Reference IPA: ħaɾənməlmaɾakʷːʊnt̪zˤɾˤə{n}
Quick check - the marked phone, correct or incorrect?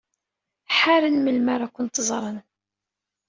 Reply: correct